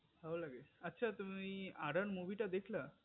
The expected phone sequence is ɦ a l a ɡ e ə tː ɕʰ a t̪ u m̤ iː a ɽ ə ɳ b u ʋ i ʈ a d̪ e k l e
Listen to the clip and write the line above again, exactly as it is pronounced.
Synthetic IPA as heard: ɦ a l a ɡ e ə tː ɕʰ a t̪ u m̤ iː a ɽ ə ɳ m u ʋ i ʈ a d̪ e kʰ l a